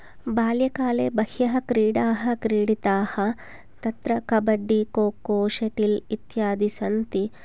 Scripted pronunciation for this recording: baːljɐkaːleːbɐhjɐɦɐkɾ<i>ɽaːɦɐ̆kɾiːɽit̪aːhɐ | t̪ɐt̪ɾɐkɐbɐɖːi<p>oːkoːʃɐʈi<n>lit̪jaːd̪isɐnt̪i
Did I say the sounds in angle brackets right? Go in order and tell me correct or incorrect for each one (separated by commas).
incorrect, incorrect, incorrect